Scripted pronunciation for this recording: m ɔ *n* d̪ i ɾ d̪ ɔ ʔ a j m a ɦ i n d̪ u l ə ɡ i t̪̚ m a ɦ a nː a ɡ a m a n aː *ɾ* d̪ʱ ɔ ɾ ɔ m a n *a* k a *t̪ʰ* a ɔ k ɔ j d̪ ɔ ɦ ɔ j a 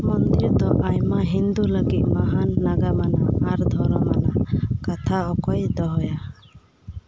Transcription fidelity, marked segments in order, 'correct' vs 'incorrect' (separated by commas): correct, correct, correct, correct